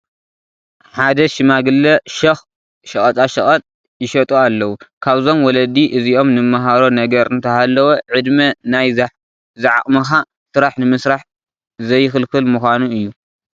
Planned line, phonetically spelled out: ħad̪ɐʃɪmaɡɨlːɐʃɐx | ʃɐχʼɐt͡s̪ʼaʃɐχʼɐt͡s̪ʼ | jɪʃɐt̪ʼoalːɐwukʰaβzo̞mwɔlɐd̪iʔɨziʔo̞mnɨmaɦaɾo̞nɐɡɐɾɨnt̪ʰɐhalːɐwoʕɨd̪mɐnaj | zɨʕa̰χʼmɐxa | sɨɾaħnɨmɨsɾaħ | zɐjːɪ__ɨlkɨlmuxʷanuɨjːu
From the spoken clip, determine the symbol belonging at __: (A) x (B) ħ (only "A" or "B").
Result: A